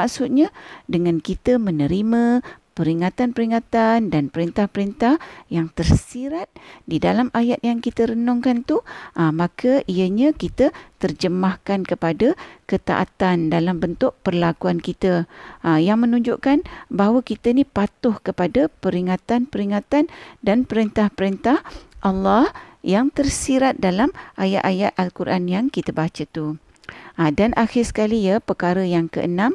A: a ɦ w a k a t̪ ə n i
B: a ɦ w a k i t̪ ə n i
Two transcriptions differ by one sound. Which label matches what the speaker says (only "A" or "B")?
B